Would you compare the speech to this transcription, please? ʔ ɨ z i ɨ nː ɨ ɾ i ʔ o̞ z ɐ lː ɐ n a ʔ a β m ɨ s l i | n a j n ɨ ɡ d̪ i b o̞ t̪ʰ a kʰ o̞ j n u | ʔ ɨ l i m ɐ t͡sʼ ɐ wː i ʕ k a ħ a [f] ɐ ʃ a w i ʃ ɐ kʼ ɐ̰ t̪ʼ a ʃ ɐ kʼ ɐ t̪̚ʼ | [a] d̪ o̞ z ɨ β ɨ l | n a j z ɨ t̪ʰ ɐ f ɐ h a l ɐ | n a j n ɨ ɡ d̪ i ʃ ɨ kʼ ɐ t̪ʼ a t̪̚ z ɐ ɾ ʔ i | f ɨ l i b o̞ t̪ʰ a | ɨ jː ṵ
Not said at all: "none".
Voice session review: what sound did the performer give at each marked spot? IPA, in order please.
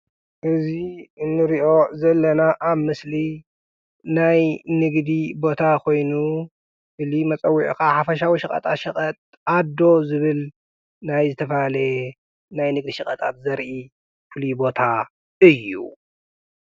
f, a

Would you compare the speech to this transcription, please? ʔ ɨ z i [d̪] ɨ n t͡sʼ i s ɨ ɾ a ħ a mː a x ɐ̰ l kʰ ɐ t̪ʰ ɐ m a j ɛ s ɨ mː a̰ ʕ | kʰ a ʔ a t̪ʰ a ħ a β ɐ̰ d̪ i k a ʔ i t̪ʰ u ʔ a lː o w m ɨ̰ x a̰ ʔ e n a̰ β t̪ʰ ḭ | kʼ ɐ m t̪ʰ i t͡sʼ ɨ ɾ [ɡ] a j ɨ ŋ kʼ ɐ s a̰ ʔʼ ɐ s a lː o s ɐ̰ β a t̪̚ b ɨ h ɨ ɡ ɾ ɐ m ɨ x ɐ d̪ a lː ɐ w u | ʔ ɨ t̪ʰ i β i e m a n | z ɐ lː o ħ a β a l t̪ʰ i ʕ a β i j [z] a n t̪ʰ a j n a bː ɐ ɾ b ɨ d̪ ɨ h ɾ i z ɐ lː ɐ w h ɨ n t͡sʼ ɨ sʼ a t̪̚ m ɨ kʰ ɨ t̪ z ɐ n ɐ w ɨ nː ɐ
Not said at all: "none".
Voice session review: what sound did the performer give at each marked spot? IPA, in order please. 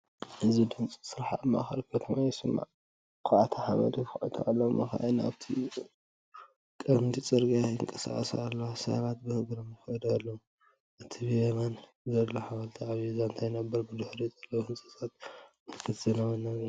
d̪, ɡ, z

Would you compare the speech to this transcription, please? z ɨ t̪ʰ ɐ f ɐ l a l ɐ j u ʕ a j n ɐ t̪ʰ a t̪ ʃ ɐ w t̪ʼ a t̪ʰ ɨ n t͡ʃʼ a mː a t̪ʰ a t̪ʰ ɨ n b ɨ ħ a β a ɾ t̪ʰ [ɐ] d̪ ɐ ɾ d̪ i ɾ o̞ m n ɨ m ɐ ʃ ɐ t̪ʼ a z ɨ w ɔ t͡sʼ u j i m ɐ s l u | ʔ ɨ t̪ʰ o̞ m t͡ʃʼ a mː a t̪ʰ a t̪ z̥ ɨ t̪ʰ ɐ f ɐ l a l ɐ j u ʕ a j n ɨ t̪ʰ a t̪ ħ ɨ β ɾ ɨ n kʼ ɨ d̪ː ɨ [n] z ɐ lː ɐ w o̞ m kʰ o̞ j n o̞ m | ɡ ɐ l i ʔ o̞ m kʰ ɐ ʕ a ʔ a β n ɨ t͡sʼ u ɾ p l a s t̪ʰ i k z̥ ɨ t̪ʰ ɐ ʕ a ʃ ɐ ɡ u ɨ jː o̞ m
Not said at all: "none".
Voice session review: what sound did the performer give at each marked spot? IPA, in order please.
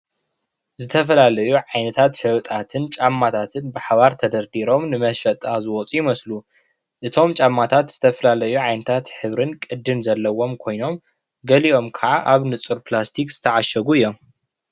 ɐ, m

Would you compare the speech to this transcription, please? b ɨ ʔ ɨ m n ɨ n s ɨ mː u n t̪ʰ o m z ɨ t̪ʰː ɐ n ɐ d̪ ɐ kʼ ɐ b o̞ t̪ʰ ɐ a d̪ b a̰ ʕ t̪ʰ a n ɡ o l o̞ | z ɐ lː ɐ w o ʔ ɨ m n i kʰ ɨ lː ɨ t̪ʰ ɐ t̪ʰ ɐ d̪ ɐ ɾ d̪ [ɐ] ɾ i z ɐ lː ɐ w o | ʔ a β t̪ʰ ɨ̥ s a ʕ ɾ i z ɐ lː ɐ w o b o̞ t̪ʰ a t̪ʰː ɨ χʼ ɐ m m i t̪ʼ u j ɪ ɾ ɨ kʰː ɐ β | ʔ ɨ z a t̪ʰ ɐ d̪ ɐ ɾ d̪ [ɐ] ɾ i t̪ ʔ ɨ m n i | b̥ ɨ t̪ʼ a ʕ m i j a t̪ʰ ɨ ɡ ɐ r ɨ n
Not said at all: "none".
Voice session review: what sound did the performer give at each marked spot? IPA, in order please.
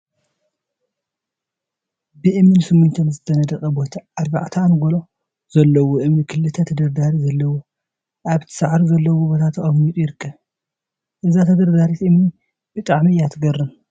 a, a

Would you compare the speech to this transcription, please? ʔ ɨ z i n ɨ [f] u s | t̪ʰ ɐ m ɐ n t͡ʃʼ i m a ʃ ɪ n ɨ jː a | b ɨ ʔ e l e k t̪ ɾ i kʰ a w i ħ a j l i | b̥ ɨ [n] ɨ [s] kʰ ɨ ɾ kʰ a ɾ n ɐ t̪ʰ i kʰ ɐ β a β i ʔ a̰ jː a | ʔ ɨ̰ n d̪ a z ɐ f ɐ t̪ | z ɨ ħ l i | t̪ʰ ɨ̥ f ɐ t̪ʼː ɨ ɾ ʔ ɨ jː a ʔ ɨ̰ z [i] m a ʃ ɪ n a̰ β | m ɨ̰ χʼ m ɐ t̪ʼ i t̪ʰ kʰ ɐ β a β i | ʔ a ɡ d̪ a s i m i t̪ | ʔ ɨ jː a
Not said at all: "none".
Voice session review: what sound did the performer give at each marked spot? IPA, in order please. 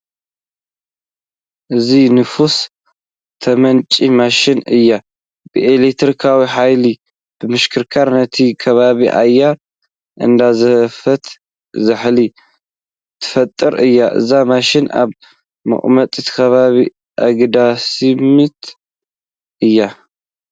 f, m, ʃ, a

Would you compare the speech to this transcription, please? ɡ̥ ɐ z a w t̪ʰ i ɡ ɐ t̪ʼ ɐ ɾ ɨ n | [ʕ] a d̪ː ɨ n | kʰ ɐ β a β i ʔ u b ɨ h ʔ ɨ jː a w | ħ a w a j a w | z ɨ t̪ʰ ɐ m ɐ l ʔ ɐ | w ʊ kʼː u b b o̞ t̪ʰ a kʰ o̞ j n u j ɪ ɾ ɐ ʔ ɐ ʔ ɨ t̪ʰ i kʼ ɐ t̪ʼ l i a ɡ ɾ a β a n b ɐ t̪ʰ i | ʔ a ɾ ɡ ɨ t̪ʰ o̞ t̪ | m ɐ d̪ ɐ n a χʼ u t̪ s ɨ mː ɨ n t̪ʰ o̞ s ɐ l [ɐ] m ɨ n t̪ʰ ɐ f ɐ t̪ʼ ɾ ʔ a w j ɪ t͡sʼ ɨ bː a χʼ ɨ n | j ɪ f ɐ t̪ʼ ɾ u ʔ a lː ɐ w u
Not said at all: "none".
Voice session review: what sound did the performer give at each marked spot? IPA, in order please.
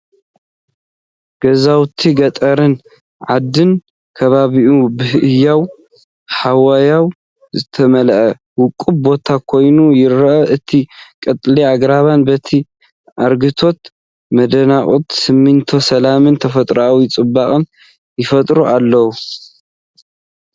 ʕ, a

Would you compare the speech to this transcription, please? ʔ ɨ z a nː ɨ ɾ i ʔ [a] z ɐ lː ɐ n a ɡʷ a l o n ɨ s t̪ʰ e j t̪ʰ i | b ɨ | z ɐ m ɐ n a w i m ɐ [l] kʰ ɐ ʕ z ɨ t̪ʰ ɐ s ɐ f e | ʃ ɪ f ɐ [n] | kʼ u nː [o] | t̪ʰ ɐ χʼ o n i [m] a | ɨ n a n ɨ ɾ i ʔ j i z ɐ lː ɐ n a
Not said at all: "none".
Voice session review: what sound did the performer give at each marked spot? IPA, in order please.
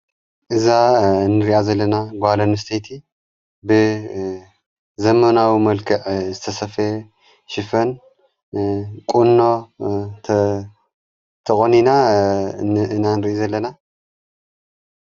a, l, n, o, n

